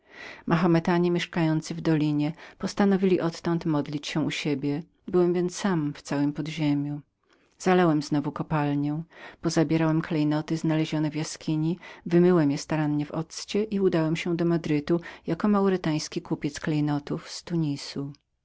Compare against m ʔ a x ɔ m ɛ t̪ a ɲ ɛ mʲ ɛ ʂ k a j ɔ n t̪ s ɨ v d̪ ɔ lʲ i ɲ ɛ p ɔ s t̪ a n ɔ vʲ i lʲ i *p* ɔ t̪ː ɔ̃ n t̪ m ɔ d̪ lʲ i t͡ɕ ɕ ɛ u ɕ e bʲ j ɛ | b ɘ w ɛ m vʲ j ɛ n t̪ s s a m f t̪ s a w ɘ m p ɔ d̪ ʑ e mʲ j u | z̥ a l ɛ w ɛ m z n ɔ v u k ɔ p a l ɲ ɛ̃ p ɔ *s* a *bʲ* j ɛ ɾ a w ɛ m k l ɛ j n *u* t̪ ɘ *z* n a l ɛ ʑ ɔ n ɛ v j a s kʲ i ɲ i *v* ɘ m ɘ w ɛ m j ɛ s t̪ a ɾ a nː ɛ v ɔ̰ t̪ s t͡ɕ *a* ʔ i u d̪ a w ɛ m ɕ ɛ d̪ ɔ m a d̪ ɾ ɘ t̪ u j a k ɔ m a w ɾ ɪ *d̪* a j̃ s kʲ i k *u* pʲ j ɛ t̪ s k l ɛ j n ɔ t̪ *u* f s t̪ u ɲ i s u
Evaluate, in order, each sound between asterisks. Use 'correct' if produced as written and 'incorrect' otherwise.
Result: incorrect, incorrect, correct, incorrect, correct, correct, incorrect, incorrect, correct, correct

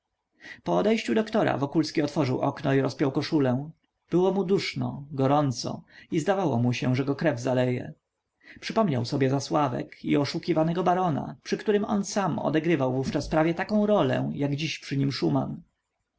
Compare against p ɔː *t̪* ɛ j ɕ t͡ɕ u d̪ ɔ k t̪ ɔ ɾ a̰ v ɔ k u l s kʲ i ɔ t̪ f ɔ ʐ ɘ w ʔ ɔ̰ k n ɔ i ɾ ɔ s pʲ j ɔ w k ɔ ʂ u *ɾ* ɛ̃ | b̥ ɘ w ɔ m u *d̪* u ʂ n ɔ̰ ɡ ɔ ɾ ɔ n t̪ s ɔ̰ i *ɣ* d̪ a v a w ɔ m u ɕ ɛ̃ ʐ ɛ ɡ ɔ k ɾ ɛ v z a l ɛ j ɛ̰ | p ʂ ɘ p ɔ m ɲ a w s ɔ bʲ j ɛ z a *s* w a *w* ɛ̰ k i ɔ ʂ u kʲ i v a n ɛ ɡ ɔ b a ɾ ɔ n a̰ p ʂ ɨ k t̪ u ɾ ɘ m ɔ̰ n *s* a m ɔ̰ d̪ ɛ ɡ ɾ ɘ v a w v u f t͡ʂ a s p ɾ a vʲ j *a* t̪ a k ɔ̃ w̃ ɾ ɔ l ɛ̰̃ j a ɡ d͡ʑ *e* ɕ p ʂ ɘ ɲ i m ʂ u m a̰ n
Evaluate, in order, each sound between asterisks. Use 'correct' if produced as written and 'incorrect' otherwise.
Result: incorrect, incorrect, correct, incorrect, correct, incorrect, correct, incorrect, incorrect

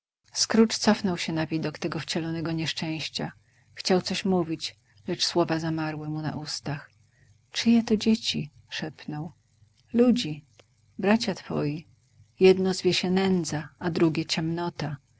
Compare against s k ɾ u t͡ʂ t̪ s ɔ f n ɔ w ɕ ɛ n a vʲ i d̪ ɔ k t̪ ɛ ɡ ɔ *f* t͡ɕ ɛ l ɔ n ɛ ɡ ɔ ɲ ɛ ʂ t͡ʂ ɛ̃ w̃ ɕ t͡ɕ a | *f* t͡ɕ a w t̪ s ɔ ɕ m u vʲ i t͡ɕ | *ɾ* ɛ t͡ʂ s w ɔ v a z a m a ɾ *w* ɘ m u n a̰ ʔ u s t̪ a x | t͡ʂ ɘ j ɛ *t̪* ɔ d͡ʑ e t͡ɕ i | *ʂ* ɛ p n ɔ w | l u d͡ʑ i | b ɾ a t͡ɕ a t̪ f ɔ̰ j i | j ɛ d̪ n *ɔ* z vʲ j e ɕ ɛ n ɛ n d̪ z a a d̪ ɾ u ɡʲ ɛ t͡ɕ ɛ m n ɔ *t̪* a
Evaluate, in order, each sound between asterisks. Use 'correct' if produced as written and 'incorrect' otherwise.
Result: correct, incorrect, incorrect, correct, correct, correct, correct, correct

